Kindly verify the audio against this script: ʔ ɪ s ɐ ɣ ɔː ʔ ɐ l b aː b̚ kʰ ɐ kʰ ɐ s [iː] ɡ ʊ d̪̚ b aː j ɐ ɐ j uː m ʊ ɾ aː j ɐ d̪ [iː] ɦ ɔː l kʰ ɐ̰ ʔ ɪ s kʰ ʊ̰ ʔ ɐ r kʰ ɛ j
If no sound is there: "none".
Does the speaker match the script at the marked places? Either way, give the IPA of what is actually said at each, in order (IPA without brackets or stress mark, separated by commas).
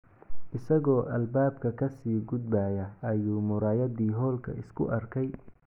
iː, iː